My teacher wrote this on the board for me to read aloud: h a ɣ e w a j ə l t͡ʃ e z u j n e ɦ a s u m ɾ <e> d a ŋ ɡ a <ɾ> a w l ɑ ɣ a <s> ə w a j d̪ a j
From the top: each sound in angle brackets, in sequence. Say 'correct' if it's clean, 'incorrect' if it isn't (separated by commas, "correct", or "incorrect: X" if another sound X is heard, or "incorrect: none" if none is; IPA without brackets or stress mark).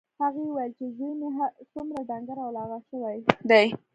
incorrect: a, correct, incorrect: ʃ